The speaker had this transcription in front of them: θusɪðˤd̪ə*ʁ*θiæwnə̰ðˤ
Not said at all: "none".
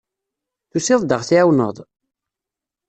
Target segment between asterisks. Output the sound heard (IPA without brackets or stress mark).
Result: ʁ